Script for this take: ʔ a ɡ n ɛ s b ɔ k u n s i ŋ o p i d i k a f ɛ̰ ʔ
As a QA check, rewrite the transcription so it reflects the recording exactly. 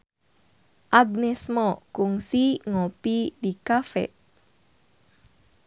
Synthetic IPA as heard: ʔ a ɡ n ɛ s m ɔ k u ŋ s i ŋ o p i d i k a f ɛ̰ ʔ